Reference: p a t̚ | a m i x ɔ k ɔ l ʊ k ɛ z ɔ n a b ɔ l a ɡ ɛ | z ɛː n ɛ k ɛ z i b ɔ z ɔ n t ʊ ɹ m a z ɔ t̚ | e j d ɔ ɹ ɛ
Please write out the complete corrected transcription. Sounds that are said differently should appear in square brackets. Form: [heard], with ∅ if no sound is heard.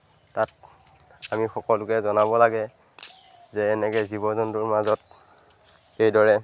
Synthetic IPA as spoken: [t] a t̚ | a m i x ɔ k ɔ l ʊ k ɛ z ɔ n a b ɔ l a ɡ ɛ | z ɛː n ɛ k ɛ z i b ɔ z ɔ n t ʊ ɹ m a z ɔ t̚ | e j d ɔ ɹ ɛ

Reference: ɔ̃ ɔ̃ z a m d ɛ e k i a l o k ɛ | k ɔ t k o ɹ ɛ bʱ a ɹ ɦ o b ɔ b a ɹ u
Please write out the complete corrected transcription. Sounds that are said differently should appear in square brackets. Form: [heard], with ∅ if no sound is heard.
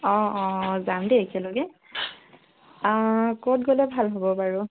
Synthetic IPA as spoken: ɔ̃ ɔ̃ z a m d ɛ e k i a l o [ɡ] ɛ | k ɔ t [ɡ] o [l] ɛ bʱ a [l] ɦ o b ɔ b a ɹ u

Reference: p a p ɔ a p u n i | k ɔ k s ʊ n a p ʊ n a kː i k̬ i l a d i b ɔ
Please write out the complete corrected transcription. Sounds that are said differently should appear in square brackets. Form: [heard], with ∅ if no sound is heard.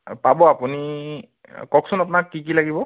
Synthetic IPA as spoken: p a [b] ɔ a p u n i | k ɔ k s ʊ n a p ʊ n a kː i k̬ i l a [ɡ] i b ɔ

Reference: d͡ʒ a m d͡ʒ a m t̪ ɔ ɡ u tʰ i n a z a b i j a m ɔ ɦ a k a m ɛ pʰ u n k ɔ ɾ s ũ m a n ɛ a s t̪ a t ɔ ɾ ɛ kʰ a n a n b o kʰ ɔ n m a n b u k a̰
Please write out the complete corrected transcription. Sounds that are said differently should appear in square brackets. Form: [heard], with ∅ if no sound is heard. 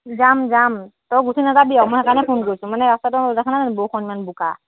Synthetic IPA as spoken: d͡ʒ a m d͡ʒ a m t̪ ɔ ɡ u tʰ i n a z a b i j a m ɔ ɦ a k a [n] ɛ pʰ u n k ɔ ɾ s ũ m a n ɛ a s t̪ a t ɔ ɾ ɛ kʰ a n a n b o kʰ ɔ n m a n b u k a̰

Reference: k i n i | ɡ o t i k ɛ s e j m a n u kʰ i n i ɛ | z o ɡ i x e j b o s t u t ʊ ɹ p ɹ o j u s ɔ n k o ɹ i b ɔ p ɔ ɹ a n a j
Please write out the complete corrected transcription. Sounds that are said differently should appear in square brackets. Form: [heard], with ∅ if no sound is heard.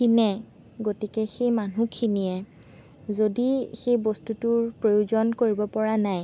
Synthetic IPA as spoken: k i n [ɛ] | ɡ o t i k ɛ [x] e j m a n u kʰ i n i ɛ | z o [d] i x e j b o s t u t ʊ ɹ p ɹ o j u [z] ɔ n k o ɹ i b ɔ p ɔ ɹ a n a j

